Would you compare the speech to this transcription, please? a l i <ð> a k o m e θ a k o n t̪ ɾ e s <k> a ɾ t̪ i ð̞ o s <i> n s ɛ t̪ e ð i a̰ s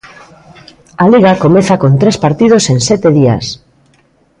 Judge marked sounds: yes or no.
no, no, no

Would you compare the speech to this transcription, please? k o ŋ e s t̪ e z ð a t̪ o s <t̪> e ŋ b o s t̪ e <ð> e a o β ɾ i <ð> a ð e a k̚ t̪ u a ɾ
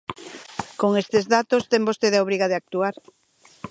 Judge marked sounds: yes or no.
yes, yes, no

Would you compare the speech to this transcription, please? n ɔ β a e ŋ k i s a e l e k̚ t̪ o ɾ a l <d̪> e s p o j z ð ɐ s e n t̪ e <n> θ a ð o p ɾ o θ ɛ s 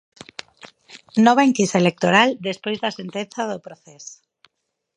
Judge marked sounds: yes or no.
yes, yes

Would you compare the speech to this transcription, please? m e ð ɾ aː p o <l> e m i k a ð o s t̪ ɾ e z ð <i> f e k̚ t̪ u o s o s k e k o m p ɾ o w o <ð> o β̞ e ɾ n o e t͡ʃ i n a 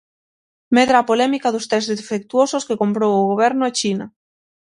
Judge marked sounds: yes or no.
yes, no, no

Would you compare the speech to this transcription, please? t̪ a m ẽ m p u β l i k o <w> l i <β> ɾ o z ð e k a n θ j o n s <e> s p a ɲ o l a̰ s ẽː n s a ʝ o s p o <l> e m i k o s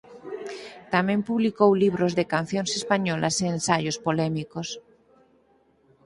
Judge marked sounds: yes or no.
yes, yes, yes, yes

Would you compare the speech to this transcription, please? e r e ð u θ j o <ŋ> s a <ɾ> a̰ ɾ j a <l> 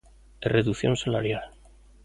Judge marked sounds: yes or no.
no, no, yes

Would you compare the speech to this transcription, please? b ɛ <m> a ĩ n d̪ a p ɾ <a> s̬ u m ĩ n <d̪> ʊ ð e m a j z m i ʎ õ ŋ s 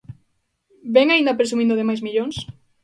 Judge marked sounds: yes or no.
no, no, yes

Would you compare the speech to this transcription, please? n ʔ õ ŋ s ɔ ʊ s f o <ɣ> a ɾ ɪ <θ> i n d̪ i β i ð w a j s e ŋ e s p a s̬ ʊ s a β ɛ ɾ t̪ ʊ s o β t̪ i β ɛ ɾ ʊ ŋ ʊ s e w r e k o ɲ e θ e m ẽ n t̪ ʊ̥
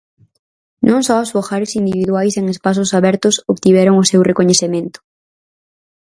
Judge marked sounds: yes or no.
no, no

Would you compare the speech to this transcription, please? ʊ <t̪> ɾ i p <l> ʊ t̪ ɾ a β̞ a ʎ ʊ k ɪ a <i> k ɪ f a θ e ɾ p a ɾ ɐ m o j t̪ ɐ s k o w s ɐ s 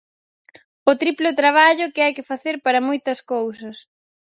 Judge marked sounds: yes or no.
yes, yes, no

